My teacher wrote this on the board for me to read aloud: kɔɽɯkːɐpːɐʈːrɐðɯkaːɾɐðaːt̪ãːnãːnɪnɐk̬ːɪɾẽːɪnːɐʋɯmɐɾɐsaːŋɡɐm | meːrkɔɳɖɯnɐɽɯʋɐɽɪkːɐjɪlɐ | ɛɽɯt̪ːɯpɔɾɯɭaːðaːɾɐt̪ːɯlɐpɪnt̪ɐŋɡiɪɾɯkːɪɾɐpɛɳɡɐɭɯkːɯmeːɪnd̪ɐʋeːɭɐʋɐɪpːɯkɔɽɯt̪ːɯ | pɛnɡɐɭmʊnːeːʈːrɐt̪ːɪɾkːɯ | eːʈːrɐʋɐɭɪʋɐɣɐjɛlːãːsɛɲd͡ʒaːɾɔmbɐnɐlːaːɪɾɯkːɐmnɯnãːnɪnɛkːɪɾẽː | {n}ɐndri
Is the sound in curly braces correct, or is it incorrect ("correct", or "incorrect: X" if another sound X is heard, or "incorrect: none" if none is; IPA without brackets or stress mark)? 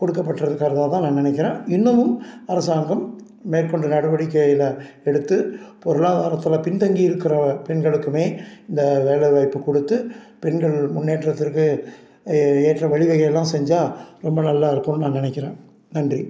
correct